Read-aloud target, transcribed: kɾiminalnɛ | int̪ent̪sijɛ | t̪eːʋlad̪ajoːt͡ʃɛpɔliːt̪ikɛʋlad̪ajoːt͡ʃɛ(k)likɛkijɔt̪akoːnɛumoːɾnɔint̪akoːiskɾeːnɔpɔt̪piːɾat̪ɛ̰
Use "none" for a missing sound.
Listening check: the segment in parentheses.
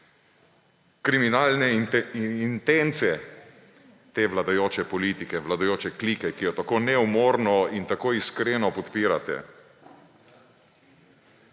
k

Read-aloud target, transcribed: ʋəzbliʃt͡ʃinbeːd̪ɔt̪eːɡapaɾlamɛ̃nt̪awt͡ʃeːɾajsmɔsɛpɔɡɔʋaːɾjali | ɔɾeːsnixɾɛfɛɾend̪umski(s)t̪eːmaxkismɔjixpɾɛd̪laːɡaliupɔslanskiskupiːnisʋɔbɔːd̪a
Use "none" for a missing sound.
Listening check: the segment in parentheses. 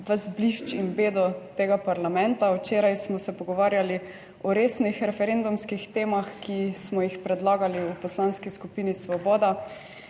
x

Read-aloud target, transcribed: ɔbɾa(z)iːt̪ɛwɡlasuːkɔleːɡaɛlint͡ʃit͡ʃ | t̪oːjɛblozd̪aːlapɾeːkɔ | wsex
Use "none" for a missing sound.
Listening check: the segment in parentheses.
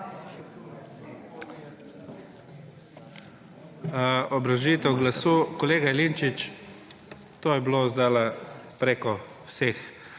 ʒ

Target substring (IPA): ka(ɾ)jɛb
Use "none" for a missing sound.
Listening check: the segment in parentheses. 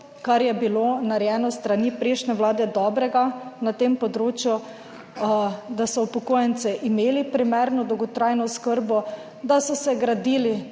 ɾ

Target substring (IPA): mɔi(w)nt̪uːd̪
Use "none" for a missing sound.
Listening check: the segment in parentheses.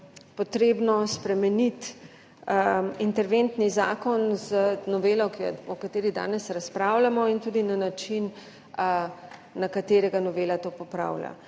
none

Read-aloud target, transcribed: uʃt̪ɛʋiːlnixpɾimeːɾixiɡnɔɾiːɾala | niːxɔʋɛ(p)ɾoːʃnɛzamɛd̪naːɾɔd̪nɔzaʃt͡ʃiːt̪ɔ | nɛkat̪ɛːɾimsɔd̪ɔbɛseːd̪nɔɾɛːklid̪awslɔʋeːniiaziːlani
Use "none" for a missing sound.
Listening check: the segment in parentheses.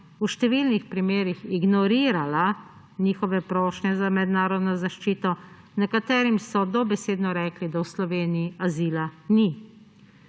p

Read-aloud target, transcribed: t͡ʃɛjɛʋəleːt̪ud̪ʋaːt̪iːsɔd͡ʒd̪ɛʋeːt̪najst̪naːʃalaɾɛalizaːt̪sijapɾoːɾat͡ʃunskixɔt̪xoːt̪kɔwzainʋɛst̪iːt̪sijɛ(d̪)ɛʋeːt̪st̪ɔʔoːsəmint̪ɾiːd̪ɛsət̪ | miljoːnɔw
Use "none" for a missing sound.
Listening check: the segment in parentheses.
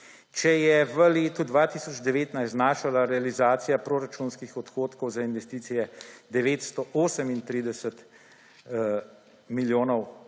d̪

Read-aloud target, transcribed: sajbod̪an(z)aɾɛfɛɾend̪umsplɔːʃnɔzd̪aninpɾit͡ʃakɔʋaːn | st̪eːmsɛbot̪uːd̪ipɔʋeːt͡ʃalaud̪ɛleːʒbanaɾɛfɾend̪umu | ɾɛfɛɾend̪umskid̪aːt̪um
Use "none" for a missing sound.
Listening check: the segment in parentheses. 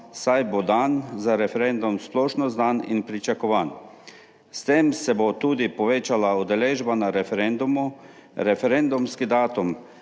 z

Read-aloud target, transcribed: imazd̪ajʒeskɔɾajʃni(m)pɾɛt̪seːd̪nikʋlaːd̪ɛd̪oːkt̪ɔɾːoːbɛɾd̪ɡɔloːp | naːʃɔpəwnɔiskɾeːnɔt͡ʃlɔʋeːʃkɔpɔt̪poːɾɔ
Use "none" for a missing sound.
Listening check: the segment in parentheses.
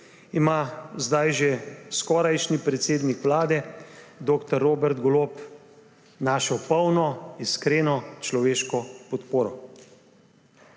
none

